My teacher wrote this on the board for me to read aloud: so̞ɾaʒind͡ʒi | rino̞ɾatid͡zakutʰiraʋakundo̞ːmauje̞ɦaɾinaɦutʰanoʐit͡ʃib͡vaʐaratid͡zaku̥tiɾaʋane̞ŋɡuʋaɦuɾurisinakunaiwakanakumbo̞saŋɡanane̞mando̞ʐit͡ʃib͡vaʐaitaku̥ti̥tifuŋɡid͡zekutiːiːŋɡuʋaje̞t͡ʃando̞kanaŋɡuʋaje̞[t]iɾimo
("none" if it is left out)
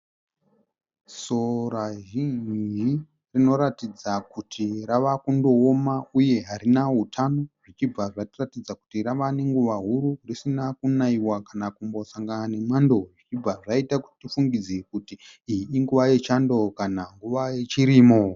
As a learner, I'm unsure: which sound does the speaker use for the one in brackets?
t͡ʃ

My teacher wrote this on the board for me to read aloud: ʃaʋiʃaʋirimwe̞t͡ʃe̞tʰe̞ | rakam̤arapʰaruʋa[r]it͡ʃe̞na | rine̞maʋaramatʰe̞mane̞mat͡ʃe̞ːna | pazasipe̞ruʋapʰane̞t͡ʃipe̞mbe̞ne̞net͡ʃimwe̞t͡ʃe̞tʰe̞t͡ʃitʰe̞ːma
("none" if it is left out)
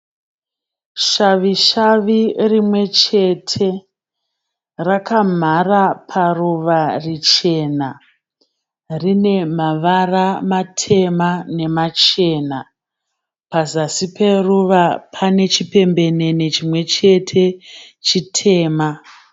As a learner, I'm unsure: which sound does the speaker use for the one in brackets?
r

